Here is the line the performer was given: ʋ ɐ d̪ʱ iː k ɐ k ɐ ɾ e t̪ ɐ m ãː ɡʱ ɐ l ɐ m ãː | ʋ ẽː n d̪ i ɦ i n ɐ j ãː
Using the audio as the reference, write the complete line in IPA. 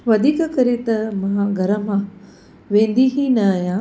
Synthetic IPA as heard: ʋ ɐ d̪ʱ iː k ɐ k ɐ ɾ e t̪ ɐ m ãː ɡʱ ɐ ɾ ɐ m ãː | ʋ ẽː n d̪ i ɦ i n ɐ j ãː